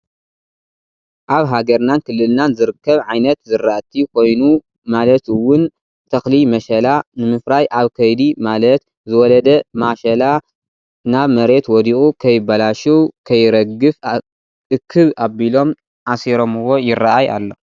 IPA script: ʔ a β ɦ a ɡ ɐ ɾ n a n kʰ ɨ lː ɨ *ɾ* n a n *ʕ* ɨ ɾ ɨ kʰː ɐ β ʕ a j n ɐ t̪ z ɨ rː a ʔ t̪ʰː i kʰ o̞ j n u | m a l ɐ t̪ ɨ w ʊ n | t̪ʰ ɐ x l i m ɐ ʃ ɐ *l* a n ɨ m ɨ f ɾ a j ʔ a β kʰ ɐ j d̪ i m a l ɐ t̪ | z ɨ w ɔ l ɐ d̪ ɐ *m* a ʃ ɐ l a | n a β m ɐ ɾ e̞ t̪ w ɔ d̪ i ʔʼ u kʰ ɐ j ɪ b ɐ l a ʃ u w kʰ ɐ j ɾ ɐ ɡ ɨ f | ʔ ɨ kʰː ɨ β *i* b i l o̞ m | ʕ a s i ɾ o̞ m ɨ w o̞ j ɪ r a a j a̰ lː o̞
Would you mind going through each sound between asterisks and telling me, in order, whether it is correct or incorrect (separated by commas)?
incorrect, incorrect, correct, correct, incorrect